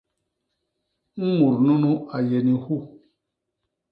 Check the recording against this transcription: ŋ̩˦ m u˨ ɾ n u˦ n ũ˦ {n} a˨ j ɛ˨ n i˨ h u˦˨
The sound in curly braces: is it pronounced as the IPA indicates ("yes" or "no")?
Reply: no